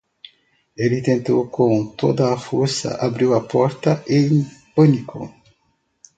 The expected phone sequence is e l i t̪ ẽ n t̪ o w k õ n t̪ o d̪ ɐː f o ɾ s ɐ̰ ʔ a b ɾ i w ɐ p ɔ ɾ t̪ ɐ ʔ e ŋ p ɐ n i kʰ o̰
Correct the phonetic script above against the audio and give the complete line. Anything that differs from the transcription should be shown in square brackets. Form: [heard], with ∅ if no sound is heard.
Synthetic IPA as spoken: e l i t̪ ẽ n t̪ o w k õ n t̪ o d̪ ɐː f o ɾ s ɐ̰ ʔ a b ɾ i w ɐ p ɔ ɾ t̪ ɐ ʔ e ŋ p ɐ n i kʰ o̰